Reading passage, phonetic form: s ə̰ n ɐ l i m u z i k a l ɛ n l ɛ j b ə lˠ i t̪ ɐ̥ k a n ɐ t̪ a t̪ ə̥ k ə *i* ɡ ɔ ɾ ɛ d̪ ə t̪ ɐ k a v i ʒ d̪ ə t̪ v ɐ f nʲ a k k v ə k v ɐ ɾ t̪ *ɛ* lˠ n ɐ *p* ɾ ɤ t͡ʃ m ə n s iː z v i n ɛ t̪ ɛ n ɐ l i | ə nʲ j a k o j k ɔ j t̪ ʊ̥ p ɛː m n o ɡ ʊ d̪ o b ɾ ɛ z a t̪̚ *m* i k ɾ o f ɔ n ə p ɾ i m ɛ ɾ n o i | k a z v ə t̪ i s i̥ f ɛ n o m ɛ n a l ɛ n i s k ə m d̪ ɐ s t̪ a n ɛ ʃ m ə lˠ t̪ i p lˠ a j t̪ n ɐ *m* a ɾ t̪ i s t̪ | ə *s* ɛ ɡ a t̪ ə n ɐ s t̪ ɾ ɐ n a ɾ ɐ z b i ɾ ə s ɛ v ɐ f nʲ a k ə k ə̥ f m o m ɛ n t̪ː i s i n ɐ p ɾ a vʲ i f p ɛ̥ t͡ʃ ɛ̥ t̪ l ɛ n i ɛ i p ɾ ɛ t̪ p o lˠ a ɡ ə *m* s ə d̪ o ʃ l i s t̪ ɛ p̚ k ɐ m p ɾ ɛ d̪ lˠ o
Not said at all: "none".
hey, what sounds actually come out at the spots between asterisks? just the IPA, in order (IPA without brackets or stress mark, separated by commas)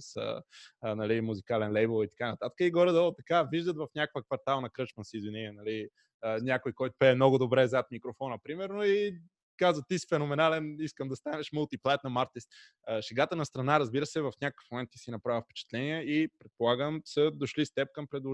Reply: i, a, k, m, m, ʃ, m